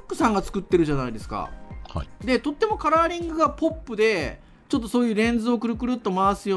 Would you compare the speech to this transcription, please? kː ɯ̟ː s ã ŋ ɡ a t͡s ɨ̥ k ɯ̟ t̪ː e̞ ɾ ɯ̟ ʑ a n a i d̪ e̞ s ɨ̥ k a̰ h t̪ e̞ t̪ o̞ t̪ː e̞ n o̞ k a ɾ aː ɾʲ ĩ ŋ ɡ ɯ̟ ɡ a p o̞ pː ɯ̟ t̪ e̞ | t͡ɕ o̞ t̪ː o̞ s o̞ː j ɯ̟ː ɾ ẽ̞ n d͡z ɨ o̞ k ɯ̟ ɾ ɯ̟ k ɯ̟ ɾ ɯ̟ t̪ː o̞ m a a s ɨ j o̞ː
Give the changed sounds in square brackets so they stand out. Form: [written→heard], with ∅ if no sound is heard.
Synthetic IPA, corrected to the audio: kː [ɯ̟ː→ɯ̟] s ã ŋ ɡ a t͡s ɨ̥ k ɯ̟ t̪ː e̞ ɾ ɯ̟ ʑ a n a i d̪ e̞ s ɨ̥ k a̰ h [t̪→d̪] e̞ t̪ o̞ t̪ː e̞ [n→m] o̞ k a ɾ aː ɾʲ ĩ ŋ ɡ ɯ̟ ɡ a p o̞ pː ɯ̟ [t̪→d̪] e̞ | t͡ɕ o̞ t̪ː o̞ s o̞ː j ɯ̟ː ɾ ẽ̞ n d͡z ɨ o̞ k ɯ̟ ɾ ɯ̟ k ɯ̟ ɾ ɯ̟ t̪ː o̞ m a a s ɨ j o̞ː